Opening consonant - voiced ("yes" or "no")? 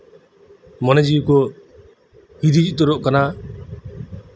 yes